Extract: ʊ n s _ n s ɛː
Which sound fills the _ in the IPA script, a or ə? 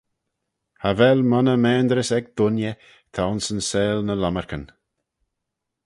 ə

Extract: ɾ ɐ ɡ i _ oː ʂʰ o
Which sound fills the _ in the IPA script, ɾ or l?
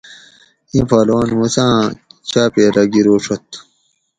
ɾ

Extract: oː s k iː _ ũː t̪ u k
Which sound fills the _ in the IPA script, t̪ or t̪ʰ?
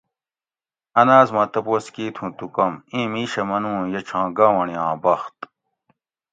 t̪ʰ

